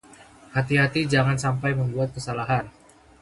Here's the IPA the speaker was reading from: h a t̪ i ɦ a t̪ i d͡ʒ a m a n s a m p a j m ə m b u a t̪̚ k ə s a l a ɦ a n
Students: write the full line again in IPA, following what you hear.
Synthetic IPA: h a t̪ i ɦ a t̪ i d͡ʒ a ŋ a n s a m p a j m ə m b u a t̪̚ k ə s a l a ɦ a n